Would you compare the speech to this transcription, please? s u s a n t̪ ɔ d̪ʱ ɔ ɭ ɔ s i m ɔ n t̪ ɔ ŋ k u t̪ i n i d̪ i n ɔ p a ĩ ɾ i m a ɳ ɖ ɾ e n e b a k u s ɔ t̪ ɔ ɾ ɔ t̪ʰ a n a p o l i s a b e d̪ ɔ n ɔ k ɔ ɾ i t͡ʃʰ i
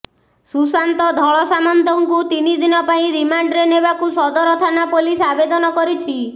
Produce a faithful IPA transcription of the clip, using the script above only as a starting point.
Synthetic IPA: s u s a n t̪ ɔ d̪ʱ ɔ ɭ ɔ s a m ɔ n t̪ ɔ ŋ k u t̪ i n i d̪ i n ɔ p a ĩ ɾ i m a ɳ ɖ ɾ e n e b a k u s ɔ d̪ ɔ ɾ ɔ t̪ʰ a n a p o l i s a b e d̪ ɔ n ɔ k ɔ ɾ i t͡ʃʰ i